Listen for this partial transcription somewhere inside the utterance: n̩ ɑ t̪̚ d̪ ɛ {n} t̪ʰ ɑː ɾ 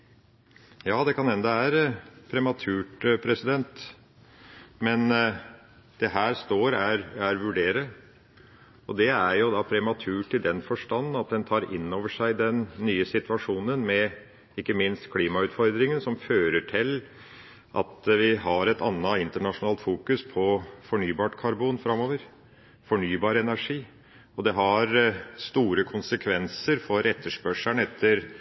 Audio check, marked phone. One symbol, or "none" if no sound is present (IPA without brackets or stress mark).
n